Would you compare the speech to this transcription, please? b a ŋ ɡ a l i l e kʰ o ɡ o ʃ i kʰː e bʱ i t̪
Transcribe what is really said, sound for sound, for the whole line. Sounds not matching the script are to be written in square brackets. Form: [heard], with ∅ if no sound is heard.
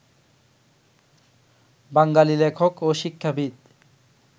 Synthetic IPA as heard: b a ŋ ɡ a l i l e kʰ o [k] o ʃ i kʰː [a] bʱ i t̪